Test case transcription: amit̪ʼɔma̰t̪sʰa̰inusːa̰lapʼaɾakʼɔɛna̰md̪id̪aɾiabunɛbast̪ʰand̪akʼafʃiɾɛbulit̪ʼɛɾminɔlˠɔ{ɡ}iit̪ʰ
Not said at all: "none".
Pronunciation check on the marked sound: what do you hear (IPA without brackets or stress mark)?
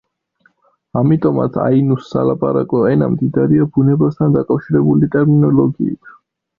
ɡ